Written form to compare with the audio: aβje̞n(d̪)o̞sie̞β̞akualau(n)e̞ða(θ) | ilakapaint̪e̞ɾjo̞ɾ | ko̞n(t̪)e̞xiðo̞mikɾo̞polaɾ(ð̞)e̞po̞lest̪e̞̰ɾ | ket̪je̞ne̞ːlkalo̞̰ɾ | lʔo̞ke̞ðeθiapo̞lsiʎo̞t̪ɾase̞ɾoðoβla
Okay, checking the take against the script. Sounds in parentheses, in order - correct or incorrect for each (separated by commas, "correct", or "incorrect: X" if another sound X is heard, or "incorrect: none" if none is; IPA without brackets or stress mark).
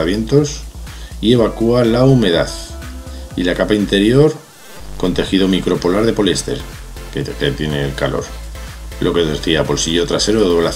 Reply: incorrect: t̪, incorrect: m, correct, correct, correct